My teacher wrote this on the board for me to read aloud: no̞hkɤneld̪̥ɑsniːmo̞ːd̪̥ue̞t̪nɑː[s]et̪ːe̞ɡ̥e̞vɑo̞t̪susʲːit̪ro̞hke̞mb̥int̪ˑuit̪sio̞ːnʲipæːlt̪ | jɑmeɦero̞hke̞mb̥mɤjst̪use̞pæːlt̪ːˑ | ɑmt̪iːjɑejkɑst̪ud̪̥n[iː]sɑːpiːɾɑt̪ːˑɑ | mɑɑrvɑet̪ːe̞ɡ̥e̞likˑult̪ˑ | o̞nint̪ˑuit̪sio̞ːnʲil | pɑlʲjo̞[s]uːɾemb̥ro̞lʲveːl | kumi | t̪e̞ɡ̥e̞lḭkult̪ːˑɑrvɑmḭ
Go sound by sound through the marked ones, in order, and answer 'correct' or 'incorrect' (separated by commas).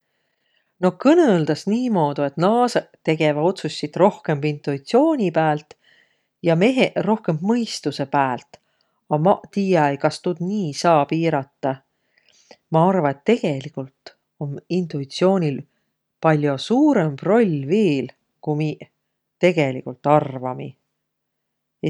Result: correct, correct, correct